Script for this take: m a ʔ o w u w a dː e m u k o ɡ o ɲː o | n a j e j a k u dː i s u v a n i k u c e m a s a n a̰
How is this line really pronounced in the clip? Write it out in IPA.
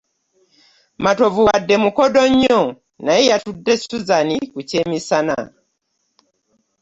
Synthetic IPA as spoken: m a t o v u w a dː e m u k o d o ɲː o | n a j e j a t u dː e s u z a n i k u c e m i s a n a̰